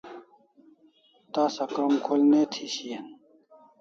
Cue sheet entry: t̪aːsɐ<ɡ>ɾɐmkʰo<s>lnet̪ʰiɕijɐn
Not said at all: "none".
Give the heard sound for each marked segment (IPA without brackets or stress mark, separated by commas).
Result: k, none